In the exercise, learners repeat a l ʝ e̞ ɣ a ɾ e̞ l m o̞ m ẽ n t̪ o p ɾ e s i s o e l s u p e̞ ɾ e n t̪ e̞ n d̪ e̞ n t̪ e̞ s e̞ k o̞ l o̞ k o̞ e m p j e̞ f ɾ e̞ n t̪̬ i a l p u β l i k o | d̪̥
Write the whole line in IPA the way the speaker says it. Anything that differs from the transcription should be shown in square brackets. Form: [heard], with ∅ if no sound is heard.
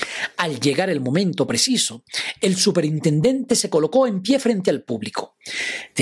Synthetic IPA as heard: a l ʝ e̞ ɣ a ɾ e̞ l m o̞ m ẽ n t̪ o p ɾ e s i s o e l s u p e̞ ɾ [i] n t̪ e̞ n d̪ e̞ n t̪ e̞ s e̞ k o̞ l o̞ k o̞ e m p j e̞ f ɾ e̞ n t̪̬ [e] a l p u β l i k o | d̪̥